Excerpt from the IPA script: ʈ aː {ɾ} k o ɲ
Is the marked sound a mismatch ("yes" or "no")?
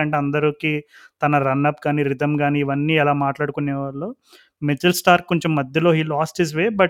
no